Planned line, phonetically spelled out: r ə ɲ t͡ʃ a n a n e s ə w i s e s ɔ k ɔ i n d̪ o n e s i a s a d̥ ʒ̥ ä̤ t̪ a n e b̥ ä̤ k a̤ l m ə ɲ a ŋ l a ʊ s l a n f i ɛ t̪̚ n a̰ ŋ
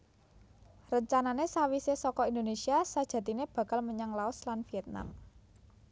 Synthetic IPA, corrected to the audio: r ə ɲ t͡ʃ a n a n e s a w i s e s ɔ k ɔ i n d̪ o n e s i a s a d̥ ʒ̥ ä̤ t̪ i n e b̥ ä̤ k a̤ l m ə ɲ a ŋ l a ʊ s l a n f i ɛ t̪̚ n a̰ m